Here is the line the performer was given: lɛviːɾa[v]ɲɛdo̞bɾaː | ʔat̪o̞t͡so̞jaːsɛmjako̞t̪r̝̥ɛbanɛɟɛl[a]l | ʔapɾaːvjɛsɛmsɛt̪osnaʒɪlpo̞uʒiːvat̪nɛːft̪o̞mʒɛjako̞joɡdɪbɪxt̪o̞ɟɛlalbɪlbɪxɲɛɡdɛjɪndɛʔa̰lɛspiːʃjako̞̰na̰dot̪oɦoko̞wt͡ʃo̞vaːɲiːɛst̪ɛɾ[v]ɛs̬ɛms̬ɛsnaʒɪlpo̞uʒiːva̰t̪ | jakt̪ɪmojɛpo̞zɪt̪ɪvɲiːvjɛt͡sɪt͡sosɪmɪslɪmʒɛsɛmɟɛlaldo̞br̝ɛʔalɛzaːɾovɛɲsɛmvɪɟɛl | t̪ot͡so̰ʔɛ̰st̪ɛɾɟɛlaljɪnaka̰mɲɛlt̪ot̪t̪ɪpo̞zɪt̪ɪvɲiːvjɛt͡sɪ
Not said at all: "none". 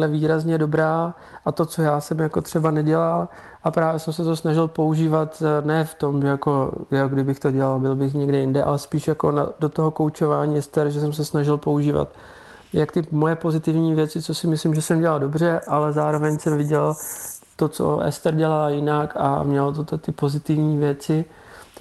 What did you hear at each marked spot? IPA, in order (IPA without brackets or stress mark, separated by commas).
z, a, ʒ